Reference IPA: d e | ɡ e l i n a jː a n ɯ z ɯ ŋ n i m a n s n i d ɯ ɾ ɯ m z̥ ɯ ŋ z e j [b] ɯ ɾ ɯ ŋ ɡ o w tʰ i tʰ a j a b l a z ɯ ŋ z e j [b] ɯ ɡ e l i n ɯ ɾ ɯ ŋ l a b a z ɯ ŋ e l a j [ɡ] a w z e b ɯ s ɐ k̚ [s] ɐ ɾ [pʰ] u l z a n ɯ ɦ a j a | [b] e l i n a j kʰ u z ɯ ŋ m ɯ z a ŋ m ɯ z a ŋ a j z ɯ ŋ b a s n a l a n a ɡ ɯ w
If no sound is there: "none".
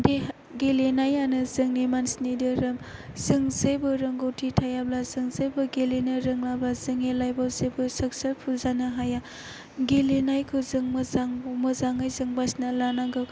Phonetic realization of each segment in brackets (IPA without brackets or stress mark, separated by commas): b, b, b, s, pʰ, ɡ